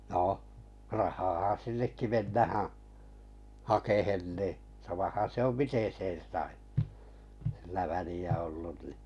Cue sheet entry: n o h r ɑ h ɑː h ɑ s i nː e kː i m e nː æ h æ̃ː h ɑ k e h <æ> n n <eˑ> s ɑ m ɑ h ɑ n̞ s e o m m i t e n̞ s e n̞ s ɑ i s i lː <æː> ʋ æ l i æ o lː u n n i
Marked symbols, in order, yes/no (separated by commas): no, no, no